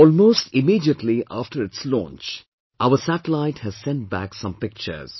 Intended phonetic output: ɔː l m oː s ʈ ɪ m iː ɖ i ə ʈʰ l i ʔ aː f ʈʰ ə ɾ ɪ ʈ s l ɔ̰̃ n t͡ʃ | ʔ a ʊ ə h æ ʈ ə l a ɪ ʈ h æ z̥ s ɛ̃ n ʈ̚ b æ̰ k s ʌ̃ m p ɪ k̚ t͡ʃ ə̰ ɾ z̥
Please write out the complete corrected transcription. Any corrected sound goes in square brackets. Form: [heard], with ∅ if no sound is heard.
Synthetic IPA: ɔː l m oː s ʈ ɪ m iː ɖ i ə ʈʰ l i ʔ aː f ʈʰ ə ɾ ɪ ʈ s l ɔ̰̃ n t͡ʃ | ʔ a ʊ ə [s] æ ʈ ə l a ɪ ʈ h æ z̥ s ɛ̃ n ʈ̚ b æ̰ k s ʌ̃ m p ɪ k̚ t͡ʃ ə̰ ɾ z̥